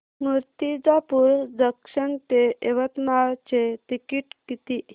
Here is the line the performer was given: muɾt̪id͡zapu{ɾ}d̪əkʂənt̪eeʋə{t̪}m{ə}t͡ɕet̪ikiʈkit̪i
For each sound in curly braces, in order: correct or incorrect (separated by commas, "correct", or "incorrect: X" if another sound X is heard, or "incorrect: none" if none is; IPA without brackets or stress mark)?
correct, correct, incorrect: a